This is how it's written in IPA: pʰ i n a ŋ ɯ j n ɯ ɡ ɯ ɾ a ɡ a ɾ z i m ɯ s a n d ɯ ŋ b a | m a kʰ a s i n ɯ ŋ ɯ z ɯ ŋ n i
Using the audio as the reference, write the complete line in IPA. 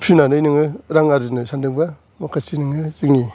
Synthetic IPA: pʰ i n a n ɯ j n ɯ ŋ ɯ ɾ a ŋ a ɾ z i n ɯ s a n d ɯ ŋ b a | m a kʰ a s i n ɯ ŋ ɯ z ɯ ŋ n i